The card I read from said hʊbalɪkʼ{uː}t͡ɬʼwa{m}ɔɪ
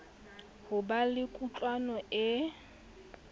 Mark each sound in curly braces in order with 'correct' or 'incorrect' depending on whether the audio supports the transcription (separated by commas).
incorrect, incorrect